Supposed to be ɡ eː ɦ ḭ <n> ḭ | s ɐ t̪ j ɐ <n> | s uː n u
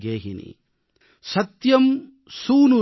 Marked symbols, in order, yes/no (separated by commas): yes, no